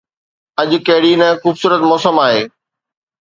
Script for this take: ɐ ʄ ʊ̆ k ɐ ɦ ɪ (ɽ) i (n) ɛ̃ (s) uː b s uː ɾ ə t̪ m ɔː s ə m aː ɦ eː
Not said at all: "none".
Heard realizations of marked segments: ɽ, n, x

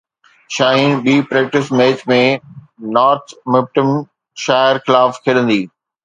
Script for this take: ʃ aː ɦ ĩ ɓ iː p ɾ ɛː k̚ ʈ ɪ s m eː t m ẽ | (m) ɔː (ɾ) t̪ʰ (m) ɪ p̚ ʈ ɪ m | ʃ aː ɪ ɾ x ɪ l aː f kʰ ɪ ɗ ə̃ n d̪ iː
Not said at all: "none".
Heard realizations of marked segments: n, ɾ, m

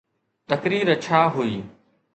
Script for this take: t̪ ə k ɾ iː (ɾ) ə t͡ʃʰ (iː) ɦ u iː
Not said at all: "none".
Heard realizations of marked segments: ɾ, aː

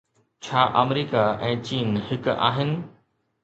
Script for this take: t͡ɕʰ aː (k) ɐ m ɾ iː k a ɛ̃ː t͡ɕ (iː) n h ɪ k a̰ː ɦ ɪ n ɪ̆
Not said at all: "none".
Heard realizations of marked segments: ʔ, iː

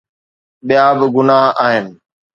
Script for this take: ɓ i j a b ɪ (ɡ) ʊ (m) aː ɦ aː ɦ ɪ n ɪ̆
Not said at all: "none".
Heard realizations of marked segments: ɡ, n

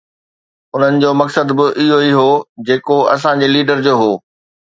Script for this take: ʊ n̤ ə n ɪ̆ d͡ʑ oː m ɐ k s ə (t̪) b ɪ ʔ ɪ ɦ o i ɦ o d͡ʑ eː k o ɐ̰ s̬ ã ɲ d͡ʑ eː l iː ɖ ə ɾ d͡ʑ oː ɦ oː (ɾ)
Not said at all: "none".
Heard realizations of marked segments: d̪, none

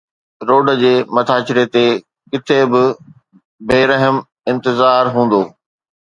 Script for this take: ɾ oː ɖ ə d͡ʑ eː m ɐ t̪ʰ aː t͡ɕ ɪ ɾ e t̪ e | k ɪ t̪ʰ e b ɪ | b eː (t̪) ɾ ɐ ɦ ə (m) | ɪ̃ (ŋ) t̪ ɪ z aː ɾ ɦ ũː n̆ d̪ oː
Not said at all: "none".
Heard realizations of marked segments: none, m, n

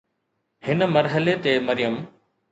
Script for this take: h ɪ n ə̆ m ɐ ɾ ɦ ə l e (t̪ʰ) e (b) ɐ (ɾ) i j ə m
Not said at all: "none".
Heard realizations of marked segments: t̪, m, ɾ

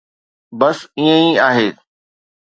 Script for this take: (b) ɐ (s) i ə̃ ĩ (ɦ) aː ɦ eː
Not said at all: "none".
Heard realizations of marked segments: b, s, none

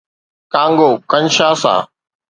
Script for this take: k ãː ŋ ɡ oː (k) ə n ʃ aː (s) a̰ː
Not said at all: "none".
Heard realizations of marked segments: k, s

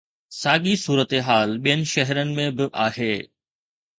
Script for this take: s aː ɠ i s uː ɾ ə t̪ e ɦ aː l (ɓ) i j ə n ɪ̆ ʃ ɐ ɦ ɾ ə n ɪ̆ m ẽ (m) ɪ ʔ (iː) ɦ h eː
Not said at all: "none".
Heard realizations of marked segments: ɓ, b, aː

